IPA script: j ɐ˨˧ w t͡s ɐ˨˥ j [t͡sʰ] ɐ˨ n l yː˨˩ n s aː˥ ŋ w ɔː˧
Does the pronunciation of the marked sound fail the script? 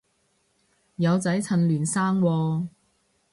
no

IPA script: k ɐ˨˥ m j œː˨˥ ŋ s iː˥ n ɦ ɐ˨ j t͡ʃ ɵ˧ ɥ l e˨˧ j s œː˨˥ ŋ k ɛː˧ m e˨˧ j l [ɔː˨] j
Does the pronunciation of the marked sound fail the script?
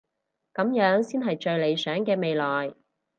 no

